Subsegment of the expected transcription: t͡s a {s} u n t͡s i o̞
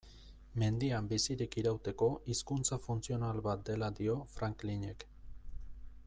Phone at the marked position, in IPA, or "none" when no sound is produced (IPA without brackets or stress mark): f